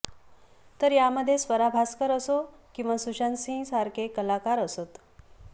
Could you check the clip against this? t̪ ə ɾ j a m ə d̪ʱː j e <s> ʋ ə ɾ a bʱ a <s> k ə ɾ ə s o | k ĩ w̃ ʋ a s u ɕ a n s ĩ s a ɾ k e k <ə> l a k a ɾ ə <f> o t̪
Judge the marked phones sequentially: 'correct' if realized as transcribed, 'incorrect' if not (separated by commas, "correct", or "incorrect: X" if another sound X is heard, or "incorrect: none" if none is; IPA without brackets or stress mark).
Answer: correct, correct, correct, incorrect: s